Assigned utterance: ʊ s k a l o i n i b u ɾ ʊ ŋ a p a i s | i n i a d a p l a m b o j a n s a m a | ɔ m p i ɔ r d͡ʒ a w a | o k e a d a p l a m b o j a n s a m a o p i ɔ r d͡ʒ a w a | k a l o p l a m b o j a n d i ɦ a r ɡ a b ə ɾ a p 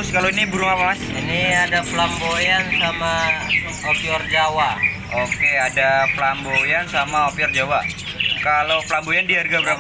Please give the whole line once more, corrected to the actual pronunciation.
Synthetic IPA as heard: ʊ s k a l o i n i b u ɾ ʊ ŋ a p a a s | i n i a d a p l a m b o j a n s a m a | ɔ p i ɔ r d͡ʒ a w a | o k e a d a p l a m b o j a n s a m a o p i ɔ r d͡ʒ a w a | k a l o p l a m b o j a n d i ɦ a r ɡ a b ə ɾ a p